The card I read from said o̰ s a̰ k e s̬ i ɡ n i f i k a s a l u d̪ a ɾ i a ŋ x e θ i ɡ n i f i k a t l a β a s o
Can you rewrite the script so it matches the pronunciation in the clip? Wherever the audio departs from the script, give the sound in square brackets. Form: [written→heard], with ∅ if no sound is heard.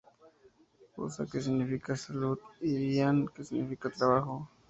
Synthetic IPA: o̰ s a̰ k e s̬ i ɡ n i f i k a s a l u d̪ [a→i] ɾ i a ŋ [x→k] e [θ→s] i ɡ n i f i k a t [l→ɾ] a β a [s→x] o